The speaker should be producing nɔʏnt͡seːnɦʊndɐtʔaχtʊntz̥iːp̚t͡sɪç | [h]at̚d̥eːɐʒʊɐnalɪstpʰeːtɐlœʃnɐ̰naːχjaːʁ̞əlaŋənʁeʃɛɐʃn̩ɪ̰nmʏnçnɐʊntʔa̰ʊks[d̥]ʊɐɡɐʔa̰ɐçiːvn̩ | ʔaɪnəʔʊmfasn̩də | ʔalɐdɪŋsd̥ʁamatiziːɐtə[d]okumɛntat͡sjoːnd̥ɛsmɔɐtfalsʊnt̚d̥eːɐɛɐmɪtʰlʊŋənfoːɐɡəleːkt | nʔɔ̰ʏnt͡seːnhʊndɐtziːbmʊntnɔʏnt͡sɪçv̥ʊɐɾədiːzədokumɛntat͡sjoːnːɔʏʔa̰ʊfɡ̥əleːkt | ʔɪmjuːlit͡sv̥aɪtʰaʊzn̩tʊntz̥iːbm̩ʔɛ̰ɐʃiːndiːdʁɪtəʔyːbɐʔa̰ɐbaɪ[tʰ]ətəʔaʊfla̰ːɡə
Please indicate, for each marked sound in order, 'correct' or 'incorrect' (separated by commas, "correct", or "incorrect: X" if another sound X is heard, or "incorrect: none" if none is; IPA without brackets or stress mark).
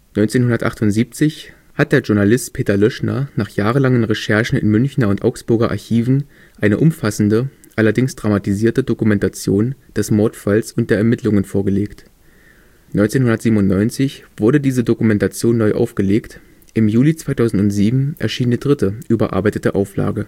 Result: correct, incorrect: b̥, correct, incorrect: t